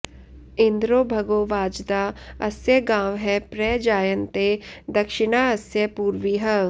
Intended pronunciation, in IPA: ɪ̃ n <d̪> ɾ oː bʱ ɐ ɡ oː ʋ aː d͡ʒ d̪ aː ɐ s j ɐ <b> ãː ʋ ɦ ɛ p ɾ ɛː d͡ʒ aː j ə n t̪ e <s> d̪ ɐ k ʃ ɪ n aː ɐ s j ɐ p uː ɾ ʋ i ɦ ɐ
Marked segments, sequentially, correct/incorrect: correct, incorrect: ɡ, incorrect: none

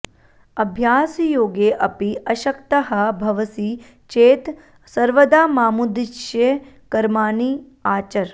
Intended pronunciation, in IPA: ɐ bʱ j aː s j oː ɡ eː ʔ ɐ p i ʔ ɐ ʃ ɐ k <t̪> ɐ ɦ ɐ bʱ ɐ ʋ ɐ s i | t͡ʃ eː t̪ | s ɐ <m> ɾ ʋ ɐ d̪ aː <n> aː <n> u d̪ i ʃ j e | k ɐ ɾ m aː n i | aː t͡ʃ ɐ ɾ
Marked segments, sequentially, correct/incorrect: correct, incorrect: none, incorrect: m, incorrect: m

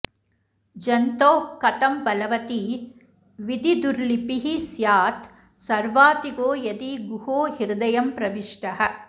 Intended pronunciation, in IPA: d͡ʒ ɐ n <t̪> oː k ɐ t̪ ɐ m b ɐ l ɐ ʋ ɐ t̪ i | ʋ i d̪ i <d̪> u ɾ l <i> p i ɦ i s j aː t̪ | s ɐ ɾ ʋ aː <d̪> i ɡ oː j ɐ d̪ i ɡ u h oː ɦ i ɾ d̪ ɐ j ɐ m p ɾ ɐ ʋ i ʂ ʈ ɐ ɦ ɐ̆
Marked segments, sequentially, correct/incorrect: correct, correct, correct, incorrect: t̪

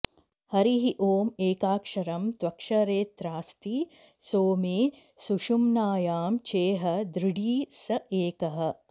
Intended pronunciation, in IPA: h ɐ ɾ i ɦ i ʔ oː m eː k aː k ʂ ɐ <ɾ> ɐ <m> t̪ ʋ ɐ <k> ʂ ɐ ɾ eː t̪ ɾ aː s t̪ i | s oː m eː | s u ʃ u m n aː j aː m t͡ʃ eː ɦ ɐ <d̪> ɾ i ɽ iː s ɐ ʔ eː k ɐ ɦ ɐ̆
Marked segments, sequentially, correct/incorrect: correct, correct, correct, correct

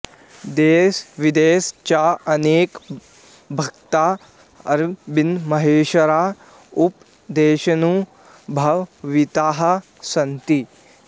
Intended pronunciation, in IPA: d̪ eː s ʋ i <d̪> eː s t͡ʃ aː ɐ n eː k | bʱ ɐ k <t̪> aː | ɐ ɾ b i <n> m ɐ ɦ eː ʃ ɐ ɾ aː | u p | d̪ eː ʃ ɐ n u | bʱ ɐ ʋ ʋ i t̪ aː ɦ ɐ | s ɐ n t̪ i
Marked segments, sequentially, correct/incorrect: correct, correct, correct

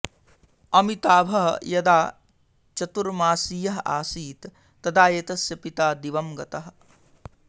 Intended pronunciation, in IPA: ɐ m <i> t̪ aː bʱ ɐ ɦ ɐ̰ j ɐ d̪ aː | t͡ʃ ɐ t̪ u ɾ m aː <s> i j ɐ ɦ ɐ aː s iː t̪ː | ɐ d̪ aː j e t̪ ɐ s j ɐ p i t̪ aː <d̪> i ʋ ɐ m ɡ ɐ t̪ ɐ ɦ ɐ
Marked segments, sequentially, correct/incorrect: correct, correct, correct

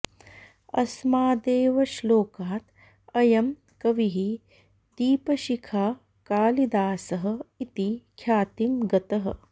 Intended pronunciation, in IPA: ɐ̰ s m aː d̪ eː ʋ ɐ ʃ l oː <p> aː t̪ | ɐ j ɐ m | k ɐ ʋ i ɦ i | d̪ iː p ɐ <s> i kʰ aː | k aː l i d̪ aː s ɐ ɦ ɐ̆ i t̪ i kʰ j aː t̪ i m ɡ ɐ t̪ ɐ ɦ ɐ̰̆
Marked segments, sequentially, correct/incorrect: incorrect: k, incorrect: ʃ

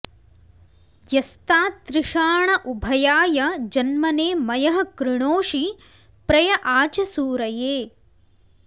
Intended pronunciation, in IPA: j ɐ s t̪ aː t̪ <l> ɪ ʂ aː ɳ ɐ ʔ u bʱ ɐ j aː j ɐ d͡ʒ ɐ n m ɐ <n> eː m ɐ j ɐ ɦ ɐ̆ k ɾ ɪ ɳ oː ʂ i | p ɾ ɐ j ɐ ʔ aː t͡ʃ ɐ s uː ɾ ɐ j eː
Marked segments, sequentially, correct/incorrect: incorrect: ɾ, correct

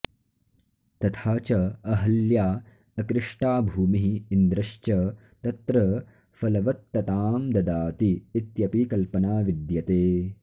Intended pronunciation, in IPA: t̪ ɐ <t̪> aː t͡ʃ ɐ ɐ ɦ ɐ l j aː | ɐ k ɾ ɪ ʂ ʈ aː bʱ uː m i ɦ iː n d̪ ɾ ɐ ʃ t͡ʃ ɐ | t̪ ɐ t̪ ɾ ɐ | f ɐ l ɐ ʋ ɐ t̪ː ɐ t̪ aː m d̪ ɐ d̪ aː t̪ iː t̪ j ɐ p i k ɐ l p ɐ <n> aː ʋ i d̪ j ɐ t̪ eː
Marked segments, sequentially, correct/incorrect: incorrect: t̪ʰ, correct

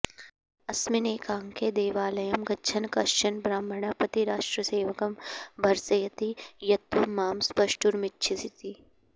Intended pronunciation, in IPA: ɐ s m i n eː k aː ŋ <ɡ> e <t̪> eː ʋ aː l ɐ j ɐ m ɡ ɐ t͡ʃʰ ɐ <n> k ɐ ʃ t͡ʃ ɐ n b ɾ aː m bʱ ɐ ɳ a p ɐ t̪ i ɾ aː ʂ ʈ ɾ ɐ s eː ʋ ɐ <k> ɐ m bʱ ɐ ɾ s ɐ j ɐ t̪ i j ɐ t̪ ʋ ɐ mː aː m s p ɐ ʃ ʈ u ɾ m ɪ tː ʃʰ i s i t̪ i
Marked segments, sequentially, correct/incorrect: incorrect: k, incorrect: d̪, correct, correct

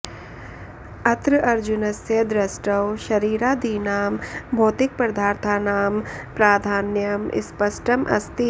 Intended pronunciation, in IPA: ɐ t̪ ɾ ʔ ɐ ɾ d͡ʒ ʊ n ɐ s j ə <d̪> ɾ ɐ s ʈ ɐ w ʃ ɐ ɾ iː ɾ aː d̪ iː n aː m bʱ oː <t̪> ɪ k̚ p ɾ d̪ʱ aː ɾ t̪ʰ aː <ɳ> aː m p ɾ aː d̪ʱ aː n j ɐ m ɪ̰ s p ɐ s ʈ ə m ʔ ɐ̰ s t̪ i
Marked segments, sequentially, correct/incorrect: correct, correct, incorrect: n

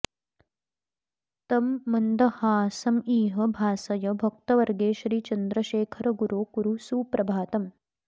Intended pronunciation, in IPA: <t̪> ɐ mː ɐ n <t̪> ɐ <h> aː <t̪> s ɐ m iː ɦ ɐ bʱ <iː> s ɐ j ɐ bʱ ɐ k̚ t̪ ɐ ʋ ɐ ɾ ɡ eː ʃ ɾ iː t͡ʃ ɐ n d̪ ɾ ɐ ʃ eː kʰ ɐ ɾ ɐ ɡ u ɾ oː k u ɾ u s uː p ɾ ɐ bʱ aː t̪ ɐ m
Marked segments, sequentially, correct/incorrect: correct, incorrect: d̪, correct, incorrect: none, incorrect: aː

